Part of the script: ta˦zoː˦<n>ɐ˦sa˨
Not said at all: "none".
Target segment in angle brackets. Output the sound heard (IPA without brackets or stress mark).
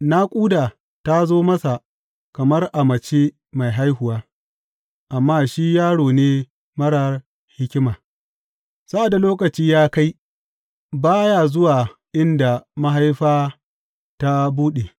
m